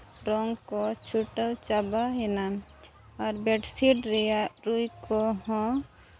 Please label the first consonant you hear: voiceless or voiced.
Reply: voiced